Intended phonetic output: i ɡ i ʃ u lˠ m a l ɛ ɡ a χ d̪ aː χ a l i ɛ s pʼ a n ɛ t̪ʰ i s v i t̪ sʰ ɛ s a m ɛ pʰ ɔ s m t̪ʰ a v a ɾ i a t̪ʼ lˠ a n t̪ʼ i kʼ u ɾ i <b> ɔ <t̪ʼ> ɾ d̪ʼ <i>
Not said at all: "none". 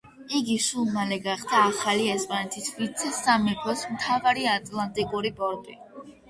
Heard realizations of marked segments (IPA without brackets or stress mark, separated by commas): b, none, i